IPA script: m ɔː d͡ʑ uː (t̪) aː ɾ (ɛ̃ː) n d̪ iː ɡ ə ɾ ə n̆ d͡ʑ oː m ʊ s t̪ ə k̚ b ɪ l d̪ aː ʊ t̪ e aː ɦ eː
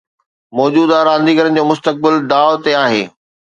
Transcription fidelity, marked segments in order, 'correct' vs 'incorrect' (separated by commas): incorrect, incorrect